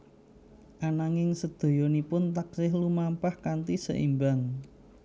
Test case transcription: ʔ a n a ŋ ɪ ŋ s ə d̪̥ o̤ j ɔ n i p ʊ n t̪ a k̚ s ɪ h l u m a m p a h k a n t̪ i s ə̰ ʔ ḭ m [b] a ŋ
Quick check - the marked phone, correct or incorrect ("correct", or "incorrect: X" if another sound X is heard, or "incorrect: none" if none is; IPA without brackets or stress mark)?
correct